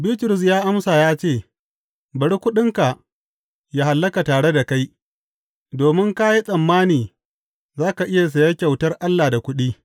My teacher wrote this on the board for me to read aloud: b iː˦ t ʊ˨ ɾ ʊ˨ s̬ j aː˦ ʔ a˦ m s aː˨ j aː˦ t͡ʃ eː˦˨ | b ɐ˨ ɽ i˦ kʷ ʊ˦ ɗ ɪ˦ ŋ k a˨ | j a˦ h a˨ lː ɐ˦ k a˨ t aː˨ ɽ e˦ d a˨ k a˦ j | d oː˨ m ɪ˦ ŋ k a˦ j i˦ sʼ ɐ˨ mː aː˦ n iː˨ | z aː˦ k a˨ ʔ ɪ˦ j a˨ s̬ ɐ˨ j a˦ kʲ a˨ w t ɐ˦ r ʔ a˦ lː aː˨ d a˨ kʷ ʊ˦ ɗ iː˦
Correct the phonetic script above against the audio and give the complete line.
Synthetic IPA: b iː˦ t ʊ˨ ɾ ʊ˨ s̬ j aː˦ ʔ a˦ m s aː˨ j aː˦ t͡ʃ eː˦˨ | b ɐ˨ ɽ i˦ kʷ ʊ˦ ɗ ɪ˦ ŋ k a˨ | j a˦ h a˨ lː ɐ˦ k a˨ t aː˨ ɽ e˦ d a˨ k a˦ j | d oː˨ m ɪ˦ ŋ k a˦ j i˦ sʼ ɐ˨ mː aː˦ n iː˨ | z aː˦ k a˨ ʔ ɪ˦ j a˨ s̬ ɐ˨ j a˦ kʲ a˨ w t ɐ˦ r ʔ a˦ lː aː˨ d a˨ kʷ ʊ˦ ɗ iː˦